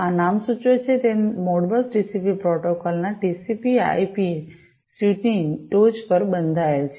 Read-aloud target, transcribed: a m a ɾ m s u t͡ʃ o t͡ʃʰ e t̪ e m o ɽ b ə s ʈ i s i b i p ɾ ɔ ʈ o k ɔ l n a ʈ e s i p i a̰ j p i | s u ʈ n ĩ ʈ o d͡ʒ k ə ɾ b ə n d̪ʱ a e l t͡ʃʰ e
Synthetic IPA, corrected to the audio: a n a m s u t͡ʃ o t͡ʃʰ e t̪ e m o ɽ b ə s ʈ i s i p i p ɾ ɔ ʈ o k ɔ l n a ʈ i s i p i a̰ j p i | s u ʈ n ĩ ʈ o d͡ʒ p ə ɾ b ə n d̪ʱ a e l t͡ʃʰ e